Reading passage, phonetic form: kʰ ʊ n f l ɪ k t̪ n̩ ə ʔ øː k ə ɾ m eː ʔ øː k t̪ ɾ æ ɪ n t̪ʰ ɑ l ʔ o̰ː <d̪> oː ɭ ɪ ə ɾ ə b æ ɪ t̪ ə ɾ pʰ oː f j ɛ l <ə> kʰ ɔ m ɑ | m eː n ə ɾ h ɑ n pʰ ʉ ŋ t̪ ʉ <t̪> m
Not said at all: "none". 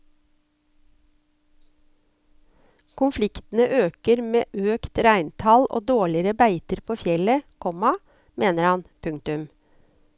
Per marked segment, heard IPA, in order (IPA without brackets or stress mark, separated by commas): d̪, ə, none